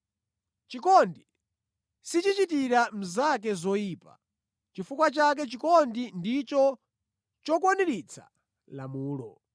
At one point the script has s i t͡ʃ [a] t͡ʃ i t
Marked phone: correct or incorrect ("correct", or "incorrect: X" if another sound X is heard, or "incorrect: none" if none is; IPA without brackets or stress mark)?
incorrect: i